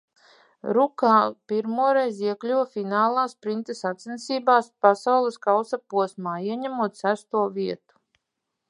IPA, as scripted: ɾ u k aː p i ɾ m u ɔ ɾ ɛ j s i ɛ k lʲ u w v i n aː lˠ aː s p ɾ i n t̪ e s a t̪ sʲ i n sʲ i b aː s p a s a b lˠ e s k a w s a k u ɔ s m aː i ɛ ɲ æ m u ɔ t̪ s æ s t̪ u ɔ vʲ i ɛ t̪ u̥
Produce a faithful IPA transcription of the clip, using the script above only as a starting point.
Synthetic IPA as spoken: ɾ u k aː p i ɾ m u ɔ ɾ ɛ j z i ɛ k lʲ u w f i n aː lˠ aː s p ɾ i n t̪ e s a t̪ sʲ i n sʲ iː b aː s p a s a w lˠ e s k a w s a p u ɔ s m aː i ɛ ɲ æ m u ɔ t̪ s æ s t̪ u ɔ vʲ i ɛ t̪ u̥